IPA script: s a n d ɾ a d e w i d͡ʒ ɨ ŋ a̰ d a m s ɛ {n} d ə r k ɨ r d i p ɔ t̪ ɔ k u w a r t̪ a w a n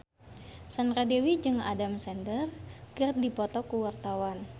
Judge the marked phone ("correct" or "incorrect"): correct